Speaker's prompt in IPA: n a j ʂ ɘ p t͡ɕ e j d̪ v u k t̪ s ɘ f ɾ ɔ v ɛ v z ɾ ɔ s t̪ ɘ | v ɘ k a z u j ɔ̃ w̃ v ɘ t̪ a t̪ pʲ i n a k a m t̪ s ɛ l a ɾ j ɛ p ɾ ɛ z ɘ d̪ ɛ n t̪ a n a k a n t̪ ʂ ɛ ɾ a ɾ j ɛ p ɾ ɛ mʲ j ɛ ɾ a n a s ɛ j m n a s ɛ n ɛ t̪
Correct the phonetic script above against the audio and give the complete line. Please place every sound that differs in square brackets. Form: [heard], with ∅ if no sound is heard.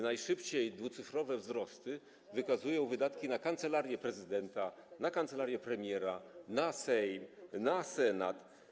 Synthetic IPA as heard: n a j ʂ ɘ p t͡ɕ e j d̪ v u [∅] t̪ s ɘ f ɾ ɔ v ɛ v z ɾ ɔ s t̪ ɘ | v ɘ k a z u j ɔ̃ w̃ v ɘ [d̪] a t̪ [kʲ] i n a k a [n] t̪ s ɛ l a ɾ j ɛ p ɾ ɛ z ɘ d̪ ɛ n t̪ a n a k a n t̪ [s] ɛ [l] a ɾ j ɛ p ɾ ɛ mʲ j ɛ ɾ a n a s ɛ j m n a s ɛ n [a] t̪